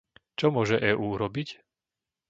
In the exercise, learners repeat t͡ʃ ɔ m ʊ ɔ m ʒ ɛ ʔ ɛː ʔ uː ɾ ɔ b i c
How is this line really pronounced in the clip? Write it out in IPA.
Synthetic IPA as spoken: t͡ʃ ɔ m ʊ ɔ ʒ ɛ ʔ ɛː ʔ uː ɾ ɔ b i c